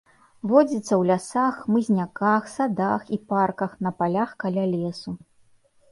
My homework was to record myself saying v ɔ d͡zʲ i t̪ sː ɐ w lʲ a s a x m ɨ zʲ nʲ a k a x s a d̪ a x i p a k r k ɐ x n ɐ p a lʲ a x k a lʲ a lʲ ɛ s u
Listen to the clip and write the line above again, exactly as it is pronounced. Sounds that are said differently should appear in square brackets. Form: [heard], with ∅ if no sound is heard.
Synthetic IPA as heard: v ɔ d͡zʲ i t̪ sː ɐ w lʲ a s a x m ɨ zʲ nʲ a k a x s a d̪ a x i p a [∅] r k ɐ x n ɐ p a lʲ a x k a lʲ a lʲ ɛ s u